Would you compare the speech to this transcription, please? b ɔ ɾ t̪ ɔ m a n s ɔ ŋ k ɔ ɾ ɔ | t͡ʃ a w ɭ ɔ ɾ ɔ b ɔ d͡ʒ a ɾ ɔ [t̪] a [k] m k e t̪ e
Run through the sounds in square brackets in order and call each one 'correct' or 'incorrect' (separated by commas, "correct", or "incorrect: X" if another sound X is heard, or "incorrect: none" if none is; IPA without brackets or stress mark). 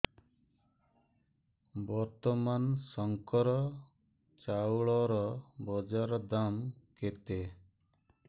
incorrect: d̪, incorrect: none